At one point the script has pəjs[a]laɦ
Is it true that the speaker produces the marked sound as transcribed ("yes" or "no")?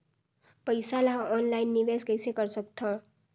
yes